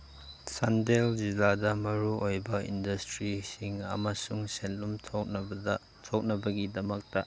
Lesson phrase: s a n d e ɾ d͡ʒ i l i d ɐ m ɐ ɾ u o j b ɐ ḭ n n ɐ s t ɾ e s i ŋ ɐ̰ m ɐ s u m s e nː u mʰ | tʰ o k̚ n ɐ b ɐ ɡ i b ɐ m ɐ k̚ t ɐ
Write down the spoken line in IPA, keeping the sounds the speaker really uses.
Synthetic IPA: s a n d e l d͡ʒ i l a d ɐ m ɐ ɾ u o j b ɐ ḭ n d ɐ s t ɾ i s i ŋ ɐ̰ m ɐ s u ŋ s e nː u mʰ | tʰ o k̚ n ɐ b ɐ ɡ i d ɐ m ɐ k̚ t ɐ